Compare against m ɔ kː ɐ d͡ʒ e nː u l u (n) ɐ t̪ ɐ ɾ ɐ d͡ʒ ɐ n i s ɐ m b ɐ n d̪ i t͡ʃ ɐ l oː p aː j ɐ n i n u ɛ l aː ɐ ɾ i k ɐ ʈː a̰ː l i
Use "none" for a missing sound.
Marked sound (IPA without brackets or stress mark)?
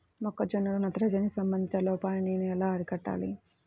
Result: n